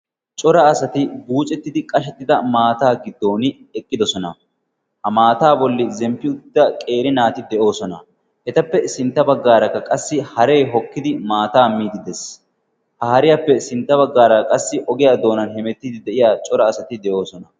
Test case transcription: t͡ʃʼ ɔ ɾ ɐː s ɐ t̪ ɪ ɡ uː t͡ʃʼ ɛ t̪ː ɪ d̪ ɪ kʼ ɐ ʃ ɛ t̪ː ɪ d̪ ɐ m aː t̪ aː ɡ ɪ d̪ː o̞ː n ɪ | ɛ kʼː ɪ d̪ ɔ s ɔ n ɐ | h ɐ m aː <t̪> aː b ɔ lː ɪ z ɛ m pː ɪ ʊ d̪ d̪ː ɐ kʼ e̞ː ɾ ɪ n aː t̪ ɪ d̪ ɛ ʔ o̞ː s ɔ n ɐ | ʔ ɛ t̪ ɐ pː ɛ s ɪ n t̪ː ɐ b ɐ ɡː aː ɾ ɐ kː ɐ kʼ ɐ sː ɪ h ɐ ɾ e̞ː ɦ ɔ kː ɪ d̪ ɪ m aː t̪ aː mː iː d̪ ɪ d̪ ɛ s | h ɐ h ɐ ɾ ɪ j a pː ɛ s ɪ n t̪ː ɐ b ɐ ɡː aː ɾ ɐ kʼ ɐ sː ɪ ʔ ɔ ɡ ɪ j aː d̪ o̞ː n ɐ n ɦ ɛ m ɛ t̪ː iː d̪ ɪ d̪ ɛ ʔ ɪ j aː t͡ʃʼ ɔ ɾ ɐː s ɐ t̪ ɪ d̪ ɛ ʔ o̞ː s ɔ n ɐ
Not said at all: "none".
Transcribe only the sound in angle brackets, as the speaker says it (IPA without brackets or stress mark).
t̪